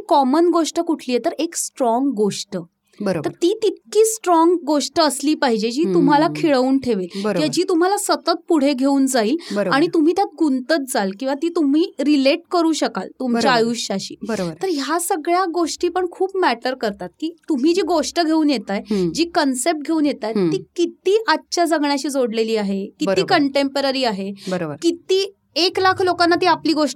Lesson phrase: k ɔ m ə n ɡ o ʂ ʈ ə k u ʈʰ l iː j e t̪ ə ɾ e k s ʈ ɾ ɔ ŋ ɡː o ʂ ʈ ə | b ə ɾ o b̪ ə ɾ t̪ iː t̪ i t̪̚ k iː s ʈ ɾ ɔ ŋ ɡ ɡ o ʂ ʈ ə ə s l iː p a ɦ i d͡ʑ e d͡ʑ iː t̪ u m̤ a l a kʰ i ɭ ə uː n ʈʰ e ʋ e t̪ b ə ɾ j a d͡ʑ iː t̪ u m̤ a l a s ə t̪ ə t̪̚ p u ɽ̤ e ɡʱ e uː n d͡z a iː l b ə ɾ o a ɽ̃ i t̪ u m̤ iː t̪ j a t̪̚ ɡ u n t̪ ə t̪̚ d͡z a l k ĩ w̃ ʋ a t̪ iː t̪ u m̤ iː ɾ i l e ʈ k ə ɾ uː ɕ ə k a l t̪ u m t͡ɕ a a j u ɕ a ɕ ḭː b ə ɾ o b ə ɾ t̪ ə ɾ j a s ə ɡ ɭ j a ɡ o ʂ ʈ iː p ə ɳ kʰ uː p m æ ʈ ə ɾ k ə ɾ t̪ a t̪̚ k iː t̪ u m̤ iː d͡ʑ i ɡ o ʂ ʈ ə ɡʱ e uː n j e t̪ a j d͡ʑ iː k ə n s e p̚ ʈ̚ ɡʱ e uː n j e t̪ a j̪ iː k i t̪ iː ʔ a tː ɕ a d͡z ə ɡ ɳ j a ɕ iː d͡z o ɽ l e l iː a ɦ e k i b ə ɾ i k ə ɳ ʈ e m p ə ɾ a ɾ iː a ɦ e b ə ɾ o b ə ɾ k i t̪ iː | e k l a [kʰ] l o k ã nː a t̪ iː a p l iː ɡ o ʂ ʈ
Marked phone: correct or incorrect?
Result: correct